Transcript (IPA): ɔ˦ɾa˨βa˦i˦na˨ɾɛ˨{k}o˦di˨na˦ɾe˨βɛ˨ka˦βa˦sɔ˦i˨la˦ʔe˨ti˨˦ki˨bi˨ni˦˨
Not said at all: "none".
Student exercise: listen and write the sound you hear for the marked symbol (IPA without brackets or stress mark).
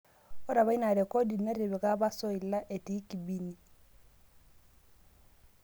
k